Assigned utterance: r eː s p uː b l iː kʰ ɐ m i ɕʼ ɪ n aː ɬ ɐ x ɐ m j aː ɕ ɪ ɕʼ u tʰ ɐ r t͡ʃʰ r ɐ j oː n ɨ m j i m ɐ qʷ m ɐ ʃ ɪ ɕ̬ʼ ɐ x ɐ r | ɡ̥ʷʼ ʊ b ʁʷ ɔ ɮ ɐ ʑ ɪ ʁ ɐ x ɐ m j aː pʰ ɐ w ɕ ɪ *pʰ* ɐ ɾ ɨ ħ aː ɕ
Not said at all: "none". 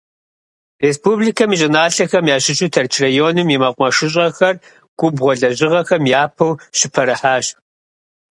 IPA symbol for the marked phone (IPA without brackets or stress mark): pʰ